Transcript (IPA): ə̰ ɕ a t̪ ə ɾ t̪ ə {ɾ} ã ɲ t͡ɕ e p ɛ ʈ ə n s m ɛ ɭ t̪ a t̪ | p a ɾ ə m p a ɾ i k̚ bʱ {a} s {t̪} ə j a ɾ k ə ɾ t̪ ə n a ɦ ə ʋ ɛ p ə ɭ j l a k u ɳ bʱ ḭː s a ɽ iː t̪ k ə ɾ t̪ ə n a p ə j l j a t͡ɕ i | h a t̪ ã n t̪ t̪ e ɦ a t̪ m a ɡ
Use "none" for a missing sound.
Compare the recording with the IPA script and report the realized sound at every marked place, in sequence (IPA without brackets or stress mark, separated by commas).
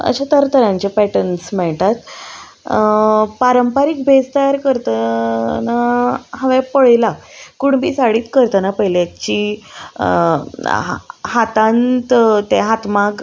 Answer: ɾ, e, t̪